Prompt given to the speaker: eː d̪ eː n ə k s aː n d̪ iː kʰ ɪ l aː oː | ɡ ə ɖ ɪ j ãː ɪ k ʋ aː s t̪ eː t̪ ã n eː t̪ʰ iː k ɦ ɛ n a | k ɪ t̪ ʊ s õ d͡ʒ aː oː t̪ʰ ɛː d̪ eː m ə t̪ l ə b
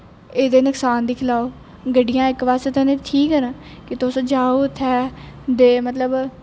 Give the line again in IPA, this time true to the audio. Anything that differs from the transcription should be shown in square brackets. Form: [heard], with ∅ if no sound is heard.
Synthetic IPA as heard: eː d̪ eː n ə k s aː n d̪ iː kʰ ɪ l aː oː | ɡ ə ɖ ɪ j ãː ɪ k ʋ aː s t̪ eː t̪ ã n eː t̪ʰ iː k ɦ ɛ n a | k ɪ t̪ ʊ s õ d͡ʒ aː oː t̪ʰ ɛː d̪ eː m ə t̪ l ə b